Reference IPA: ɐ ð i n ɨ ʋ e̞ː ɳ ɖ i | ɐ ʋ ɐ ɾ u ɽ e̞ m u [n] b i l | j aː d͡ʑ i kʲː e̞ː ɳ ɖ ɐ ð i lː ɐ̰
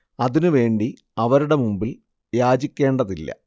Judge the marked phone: incorrect: m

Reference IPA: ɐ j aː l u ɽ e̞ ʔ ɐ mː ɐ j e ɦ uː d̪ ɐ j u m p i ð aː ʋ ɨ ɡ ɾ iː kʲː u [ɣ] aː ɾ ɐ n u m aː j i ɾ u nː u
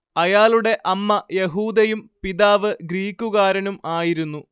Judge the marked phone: correct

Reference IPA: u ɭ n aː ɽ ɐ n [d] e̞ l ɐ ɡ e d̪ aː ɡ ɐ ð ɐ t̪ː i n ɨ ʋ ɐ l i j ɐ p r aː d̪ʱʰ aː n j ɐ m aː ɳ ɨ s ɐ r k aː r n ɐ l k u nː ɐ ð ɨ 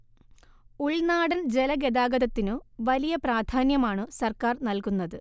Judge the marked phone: incorrect: d͡ʑ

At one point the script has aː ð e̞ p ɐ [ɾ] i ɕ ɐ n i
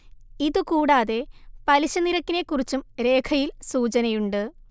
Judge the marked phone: incorrect: l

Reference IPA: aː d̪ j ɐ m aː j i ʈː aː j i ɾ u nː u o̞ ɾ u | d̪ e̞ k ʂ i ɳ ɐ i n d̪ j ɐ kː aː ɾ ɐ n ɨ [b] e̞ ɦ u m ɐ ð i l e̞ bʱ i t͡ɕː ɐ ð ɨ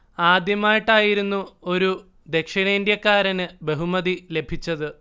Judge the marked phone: correct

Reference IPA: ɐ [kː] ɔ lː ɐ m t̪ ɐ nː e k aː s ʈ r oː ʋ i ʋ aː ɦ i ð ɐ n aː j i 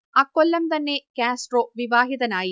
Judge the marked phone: correct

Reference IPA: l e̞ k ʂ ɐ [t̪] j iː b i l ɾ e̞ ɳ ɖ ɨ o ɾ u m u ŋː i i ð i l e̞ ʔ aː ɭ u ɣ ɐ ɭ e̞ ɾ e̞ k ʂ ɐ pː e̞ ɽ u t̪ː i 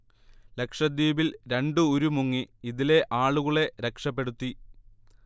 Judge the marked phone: incorrect: d̪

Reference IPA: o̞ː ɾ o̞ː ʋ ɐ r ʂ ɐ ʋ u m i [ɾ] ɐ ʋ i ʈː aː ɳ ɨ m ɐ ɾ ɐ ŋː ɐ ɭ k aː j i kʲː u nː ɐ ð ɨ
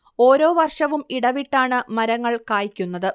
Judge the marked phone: incorrect: ɽ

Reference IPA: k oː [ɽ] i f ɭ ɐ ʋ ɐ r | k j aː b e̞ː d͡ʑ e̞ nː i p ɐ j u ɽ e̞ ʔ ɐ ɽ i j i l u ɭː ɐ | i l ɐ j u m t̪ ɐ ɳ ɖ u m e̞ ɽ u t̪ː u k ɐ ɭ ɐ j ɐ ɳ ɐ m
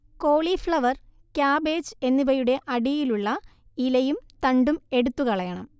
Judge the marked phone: incorrect: ɭ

